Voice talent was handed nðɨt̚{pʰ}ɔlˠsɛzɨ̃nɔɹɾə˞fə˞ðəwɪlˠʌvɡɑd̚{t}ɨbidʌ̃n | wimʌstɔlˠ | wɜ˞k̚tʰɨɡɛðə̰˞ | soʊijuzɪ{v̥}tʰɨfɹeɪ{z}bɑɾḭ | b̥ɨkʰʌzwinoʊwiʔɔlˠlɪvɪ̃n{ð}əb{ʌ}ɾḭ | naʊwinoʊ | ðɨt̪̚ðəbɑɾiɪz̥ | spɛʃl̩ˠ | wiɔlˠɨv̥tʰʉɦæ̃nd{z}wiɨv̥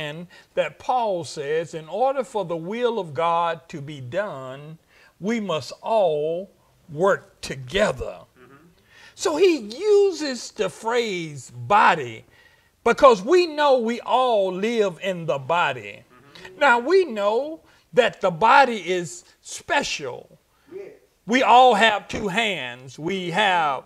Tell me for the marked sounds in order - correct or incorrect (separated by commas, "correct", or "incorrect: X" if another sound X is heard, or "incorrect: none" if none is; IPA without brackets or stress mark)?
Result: correct, incorrect: tʰ, incorrect: z̥, correct, correct, incorrect: ɑ, correct